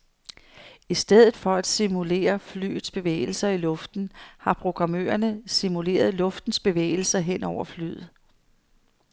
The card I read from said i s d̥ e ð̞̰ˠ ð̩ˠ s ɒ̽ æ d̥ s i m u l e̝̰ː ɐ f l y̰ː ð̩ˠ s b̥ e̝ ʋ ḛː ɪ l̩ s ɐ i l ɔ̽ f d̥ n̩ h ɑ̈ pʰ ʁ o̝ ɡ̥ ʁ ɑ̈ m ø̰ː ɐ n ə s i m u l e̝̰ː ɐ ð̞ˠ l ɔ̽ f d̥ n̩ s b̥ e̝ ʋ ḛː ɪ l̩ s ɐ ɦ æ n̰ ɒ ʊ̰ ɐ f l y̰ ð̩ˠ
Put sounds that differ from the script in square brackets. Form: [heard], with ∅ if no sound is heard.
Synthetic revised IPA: i s d̥ e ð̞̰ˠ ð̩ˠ [f] ɒ̽ æ d̥ s i m u l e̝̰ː ɐ f l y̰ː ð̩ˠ s b̥ e̝ ʋ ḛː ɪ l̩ s ɐ i l ɔ̽ f d̥ n̩ h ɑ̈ pʰ ʁ o̝ ɡ̥ ʁ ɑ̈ m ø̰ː ɐ n ə s i m u l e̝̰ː ɐ ð̞ˠ l ɔ̽ f d̥ n̩ s b̥ e̝ ʋ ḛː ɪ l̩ s ɐ ɦ [e] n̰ ɒ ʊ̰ ɐ f l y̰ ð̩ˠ

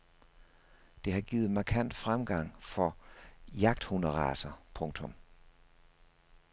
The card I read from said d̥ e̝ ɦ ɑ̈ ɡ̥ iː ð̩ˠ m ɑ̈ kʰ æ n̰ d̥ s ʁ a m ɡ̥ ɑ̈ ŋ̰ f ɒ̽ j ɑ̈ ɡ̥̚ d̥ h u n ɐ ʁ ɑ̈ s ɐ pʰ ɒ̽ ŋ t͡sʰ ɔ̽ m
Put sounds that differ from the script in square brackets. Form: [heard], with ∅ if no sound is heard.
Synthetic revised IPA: d̥ e̝ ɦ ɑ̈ ɡ̥ iː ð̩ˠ m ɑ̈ kʰ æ n̰ d̥ [f] ʁ a m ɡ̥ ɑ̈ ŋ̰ f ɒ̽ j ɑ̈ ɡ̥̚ d̥ h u n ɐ ʁ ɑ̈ s ɐ pʰ [ɔ̽] ŋ t͡sʰ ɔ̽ m

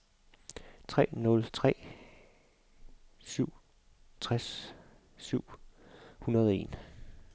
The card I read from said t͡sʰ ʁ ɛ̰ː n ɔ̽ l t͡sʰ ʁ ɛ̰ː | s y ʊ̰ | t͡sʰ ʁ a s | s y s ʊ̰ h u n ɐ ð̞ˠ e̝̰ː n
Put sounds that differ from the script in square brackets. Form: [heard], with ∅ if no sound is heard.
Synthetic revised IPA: t͡sʰ ʁ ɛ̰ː n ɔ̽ l t͡sʰ ʁ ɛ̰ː | s y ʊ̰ | t͡sʰ ʁ a s | s y [∅] ʊ̰ h u n ɐ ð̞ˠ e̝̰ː n

